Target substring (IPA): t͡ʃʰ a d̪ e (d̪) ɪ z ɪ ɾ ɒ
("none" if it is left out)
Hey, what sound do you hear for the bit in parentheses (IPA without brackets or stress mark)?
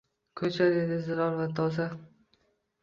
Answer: d̪